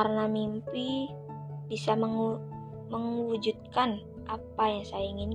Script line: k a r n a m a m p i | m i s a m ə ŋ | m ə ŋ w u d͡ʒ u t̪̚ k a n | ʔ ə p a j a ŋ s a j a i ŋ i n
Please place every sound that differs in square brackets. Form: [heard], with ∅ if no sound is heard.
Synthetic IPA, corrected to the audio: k a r n a m [i] m p i | [b] i s a m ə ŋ | m ə ŋ w u d͡ʒ u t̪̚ k a n | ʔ [a] p a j a ŋ s a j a i ŋ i n